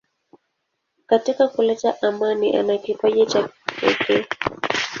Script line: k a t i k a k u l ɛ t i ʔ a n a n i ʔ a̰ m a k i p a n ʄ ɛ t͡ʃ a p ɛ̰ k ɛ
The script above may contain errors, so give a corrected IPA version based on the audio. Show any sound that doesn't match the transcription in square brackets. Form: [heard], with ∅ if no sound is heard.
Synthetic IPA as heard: k a t i k a k u l ɛ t [a] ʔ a [m] a n i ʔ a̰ [n] a k i p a [∅] ʄ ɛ t͡ʃ a p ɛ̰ k ɛ